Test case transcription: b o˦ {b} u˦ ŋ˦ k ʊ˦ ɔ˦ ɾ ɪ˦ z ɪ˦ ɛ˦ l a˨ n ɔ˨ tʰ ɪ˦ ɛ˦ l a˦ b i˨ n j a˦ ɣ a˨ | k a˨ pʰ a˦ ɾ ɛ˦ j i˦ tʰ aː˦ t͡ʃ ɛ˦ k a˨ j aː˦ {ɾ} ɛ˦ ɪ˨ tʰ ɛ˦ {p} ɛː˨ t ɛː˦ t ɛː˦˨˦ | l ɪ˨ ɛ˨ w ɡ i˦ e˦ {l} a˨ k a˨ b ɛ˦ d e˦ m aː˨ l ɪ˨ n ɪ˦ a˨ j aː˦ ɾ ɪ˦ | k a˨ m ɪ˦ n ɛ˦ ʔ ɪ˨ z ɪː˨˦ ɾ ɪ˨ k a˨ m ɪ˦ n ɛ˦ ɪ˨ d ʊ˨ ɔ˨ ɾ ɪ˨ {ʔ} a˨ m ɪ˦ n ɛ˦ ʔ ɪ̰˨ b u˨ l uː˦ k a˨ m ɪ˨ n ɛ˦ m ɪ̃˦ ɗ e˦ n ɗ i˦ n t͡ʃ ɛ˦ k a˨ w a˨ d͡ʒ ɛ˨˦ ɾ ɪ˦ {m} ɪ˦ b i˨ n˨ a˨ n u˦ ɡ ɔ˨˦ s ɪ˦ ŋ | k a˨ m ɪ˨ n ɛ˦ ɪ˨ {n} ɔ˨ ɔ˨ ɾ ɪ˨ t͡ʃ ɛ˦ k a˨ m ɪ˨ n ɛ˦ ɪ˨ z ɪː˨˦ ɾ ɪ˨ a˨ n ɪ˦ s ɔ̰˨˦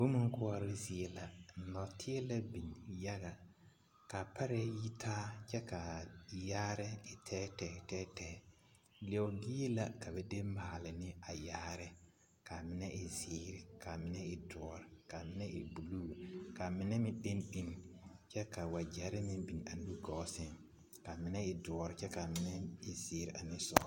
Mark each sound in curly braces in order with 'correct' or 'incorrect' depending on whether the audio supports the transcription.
incorrect, correct, incorrect, correct, incorrect, correct, incorrect

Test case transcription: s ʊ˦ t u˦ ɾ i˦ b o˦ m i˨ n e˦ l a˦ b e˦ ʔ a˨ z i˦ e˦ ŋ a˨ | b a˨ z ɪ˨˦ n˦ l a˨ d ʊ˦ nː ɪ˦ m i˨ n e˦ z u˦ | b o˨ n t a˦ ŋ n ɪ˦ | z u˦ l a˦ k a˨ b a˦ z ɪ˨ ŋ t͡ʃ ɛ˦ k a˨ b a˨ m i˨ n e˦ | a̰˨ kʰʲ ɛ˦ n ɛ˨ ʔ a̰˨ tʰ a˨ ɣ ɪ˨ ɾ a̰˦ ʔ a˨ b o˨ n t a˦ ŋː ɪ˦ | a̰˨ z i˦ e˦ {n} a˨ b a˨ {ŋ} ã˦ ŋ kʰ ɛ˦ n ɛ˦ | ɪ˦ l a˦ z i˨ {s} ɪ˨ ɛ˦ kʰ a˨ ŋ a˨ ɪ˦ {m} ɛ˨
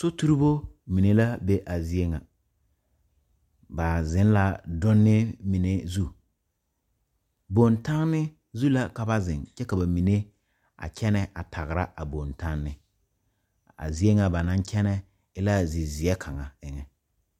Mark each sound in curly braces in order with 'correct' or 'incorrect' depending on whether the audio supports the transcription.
incorrect, incorrect, incorrect, incorrect

